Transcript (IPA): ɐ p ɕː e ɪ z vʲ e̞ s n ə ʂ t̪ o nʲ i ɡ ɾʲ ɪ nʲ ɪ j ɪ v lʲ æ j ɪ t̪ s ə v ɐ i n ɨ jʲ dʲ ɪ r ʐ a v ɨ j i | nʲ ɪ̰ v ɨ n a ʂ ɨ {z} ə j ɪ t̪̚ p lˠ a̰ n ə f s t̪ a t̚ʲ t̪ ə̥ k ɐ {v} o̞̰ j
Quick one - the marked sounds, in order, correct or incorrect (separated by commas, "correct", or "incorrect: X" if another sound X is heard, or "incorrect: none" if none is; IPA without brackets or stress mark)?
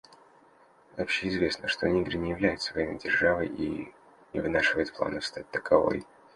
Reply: incorrect: v, correct